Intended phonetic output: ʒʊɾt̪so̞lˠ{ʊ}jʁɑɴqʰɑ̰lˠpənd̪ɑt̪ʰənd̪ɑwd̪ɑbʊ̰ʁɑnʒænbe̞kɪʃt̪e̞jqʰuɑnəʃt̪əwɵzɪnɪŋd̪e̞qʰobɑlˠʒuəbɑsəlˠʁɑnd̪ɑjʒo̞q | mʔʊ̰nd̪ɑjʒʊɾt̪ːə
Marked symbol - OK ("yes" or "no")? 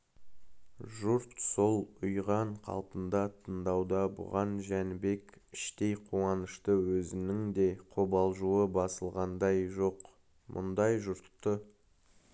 yes